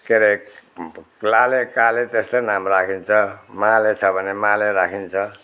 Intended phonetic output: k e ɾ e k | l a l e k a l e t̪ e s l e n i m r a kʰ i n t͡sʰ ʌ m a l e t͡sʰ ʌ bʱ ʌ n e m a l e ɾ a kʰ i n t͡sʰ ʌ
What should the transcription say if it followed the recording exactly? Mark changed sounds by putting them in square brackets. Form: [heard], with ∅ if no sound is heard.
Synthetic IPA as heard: k e ɾ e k | l a l e k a l e t̪ e s l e n [a] m r a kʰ i n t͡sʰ ʌ m a l e t͡sʰ ʌ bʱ ʌ n e m a l e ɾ a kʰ i n t͡sʰ ʌ